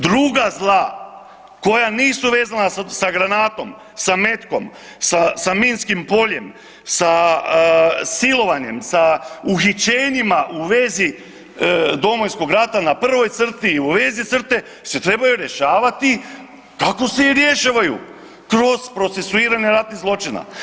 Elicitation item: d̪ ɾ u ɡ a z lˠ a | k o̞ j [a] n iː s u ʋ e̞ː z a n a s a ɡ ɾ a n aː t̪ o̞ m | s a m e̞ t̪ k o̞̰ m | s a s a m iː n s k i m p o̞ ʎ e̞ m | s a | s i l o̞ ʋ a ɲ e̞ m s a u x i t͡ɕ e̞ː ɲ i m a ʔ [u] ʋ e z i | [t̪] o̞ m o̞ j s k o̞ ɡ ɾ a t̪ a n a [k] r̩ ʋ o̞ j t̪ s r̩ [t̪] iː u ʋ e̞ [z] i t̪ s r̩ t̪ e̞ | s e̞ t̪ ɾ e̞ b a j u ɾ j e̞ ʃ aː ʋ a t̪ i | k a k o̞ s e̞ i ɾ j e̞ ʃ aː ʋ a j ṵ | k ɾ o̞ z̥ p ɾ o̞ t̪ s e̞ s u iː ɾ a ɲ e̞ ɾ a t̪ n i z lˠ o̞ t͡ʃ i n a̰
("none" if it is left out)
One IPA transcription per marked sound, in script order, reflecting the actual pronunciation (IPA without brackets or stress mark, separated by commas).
a, u, d̪, p, t̪, z